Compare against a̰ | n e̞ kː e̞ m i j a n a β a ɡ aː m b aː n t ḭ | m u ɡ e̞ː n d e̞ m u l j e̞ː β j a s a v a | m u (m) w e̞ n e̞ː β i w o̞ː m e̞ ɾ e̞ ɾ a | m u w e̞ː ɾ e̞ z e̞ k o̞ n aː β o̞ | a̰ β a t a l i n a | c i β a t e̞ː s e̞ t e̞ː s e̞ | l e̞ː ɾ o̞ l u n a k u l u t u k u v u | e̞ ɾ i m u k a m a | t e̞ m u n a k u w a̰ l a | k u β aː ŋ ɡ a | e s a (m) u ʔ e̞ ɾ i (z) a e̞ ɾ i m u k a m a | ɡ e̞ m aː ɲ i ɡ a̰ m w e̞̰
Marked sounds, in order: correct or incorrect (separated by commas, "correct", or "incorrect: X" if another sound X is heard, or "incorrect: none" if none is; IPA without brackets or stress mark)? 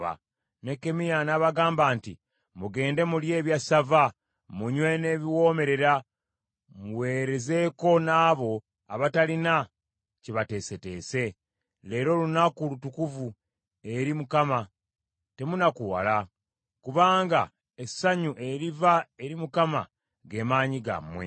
incorrect: ɲ, incorrect: ɲ, incorrect: v